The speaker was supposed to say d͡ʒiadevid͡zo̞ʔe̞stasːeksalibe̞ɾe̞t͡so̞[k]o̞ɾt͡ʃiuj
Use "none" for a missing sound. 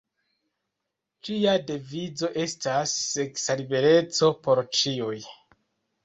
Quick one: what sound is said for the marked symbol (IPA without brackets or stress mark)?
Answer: p